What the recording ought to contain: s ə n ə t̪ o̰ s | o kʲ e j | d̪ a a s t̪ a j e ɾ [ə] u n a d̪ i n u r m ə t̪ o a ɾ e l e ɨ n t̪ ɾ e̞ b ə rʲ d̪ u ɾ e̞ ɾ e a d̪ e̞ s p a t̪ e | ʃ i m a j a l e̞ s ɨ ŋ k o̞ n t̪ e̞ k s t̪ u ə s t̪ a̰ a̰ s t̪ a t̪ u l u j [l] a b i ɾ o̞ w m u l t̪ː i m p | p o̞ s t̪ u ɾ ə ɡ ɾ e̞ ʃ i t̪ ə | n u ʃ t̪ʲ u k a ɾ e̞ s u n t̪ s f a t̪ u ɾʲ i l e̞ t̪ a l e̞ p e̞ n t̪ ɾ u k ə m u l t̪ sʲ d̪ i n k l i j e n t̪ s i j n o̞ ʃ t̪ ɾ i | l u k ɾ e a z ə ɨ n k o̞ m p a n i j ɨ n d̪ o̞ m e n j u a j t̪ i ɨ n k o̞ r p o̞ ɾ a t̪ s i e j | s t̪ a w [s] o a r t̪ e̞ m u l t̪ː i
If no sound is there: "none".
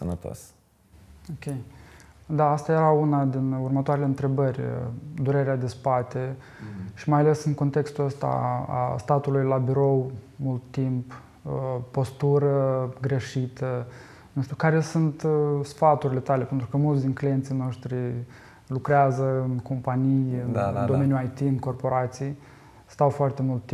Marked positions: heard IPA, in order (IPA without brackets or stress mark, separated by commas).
a, l, f